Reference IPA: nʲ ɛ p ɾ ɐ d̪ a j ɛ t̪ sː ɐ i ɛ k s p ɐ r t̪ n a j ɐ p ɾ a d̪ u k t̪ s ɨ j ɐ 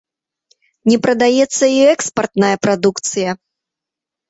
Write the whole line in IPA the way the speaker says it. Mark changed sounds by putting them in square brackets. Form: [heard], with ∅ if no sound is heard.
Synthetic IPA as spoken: nʲ ɛ p ɾ ɐ d̪ a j ɛ t̪ sː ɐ i ɛ k s p ɐ r t̪ n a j ɐ p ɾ a d̪ u k t̪ s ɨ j ɐ